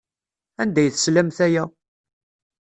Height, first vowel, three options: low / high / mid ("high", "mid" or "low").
low